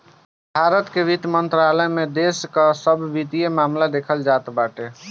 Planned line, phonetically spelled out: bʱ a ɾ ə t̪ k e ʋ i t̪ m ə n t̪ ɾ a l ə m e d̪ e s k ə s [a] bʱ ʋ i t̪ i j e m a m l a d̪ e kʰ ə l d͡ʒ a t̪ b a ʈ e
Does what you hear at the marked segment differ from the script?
yes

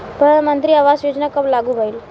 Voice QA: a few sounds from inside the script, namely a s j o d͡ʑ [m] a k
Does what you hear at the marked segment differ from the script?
yes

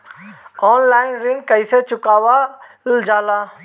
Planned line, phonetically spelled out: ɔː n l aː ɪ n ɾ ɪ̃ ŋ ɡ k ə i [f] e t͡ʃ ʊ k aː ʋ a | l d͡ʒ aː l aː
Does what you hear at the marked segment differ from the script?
yes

